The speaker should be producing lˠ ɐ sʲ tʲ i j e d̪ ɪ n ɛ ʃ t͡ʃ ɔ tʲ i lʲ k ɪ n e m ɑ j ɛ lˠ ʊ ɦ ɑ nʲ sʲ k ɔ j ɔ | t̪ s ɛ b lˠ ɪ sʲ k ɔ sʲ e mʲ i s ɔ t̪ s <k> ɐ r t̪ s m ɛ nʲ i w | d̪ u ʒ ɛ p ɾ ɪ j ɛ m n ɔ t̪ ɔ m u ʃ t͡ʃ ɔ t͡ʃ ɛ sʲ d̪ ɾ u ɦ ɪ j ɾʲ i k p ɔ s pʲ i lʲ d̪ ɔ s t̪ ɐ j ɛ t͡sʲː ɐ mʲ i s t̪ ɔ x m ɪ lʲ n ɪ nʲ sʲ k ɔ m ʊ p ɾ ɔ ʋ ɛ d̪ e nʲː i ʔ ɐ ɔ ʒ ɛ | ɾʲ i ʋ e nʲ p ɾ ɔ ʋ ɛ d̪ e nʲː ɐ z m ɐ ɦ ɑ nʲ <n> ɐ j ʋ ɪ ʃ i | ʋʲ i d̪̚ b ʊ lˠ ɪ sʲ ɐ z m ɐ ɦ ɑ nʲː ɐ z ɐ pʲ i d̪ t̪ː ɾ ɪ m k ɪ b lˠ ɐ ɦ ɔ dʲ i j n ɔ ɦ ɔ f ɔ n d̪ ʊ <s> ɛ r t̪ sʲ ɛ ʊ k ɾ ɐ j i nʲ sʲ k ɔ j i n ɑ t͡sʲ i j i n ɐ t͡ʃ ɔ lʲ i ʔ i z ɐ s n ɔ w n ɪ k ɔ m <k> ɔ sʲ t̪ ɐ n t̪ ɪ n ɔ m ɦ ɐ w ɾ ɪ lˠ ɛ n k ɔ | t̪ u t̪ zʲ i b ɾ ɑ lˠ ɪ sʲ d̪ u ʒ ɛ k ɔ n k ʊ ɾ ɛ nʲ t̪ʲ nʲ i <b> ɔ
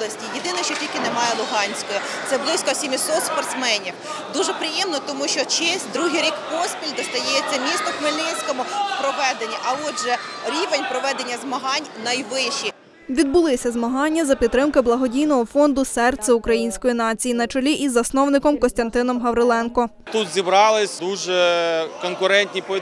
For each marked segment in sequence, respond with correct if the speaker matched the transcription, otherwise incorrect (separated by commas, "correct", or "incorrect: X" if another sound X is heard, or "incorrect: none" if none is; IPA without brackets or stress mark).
incorrect: p, correct, correct, correct, incorrect: p